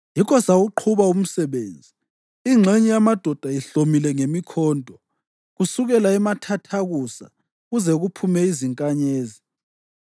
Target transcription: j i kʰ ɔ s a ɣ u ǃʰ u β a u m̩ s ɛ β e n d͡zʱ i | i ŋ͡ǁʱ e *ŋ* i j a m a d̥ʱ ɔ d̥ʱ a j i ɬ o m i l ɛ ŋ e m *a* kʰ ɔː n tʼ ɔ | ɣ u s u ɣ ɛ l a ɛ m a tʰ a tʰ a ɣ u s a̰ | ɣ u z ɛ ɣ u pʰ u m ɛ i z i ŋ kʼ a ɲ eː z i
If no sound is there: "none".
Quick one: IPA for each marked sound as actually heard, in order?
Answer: ɲ, i

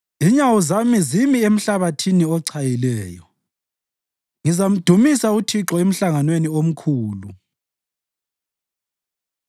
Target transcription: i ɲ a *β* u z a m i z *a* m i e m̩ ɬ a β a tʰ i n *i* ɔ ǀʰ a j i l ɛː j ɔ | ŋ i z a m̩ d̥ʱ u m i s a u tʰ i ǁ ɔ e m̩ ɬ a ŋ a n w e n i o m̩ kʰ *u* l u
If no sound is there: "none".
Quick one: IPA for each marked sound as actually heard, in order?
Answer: w, i, i, uː

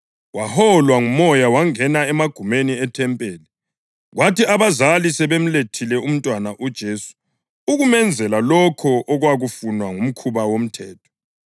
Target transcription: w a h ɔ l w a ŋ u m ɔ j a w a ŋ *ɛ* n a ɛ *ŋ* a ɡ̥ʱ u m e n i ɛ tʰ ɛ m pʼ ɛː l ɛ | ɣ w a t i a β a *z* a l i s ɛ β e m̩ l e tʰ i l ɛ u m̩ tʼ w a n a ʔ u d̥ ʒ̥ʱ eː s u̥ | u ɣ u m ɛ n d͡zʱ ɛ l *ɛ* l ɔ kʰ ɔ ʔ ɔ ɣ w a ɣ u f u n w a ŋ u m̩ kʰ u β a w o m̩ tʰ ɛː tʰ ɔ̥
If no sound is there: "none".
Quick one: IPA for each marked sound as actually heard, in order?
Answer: ɛ, m, z, a

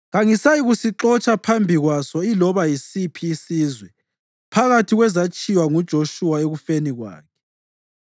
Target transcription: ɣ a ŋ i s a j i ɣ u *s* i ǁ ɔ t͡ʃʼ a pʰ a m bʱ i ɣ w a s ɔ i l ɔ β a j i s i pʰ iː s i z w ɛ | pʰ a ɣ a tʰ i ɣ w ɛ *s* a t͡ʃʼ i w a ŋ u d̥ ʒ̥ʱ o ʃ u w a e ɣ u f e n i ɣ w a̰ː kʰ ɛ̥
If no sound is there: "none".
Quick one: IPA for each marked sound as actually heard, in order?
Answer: s, z

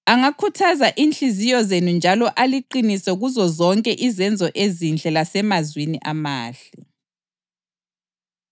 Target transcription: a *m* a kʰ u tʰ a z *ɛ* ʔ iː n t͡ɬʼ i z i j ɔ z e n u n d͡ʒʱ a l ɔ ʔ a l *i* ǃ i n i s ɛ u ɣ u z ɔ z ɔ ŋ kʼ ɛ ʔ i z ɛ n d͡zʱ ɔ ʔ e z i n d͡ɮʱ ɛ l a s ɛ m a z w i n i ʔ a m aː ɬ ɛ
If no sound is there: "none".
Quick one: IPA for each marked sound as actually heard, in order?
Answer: ŋ, a, i

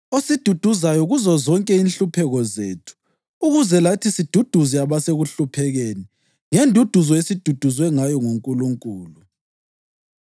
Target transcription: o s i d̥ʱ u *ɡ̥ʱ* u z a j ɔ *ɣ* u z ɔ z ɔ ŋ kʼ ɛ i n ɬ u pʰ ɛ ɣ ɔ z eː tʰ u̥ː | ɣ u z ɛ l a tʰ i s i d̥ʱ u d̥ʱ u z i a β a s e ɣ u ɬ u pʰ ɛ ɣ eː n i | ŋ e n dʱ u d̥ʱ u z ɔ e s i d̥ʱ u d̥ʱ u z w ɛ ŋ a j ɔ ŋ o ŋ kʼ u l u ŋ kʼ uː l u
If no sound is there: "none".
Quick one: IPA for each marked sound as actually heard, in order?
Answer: d̥ʱ, ɣ

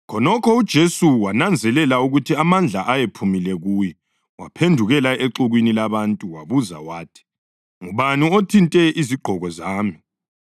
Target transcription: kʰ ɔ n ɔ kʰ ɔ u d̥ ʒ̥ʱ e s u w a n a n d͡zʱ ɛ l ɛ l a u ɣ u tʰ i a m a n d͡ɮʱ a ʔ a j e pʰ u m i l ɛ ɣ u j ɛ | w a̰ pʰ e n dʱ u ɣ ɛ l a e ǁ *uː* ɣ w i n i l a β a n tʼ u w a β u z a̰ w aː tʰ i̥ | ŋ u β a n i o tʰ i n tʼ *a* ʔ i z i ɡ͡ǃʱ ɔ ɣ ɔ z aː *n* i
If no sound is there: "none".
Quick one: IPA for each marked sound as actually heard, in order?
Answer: u, ɛ, m

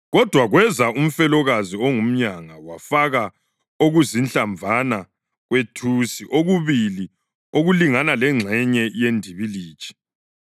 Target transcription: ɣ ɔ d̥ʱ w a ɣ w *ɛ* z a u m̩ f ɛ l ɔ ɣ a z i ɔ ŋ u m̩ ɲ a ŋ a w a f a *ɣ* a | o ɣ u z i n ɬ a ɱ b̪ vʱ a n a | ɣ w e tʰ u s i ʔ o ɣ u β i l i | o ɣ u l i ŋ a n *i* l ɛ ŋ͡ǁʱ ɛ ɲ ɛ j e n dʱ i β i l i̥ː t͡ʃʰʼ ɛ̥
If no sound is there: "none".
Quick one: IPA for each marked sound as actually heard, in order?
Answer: ɛ, ɣ, a

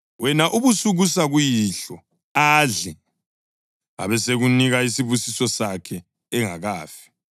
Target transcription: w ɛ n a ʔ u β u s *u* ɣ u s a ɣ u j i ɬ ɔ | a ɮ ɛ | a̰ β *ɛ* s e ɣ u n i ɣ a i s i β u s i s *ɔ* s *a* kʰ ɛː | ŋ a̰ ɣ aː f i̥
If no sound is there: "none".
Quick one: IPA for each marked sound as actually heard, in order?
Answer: u, ɛ, ɔ, a

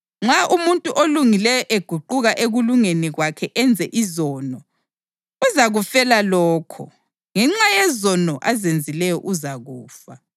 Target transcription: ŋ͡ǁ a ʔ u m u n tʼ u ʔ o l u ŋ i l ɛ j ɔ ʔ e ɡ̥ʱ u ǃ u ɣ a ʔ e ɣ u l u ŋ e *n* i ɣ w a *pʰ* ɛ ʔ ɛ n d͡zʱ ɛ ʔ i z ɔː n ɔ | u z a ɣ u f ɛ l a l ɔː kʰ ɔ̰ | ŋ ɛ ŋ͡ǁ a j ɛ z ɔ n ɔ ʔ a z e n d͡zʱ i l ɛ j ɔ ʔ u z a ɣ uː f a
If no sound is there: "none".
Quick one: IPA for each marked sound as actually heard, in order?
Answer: n, kʰ

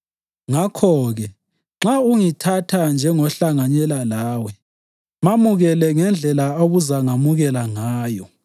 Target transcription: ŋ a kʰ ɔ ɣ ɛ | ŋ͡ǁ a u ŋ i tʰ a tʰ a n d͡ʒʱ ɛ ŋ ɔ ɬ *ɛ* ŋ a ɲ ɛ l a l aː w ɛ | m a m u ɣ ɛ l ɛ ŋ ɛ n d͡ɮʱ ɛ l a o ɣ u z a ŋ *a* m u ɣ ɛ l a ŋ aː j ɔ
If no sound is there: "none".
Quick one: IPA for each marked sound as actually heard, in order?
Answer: a, a

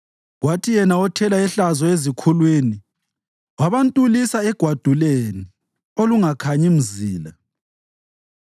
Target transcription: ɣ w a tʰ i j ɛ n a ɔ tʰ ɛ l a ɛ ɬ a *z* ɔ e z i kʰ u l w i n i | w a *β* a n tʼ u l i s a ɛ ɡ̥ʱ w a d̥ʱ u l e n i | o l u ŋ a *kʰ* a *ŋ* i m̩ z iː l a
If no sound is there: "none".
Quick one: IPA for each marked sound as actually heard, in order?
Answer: z, β, kʰ, ɲ

